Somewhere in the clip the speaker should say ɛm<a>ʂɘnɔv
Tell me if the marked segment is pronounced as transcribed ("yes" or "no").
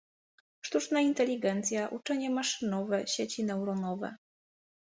yes